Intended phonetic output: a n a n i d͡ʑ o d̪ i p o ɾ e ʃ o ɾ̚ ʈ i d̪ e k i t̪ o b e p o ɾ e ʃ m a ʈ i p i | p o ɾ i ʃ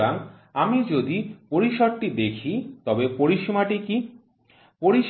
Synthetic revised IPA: a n a m i d͡ʑ o d̪ i p o ɾ i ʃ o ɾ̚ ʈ i d̪ e kʰ i t̪ ɔ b e p o ɾ i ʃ m a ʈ i k i | p o ɾ i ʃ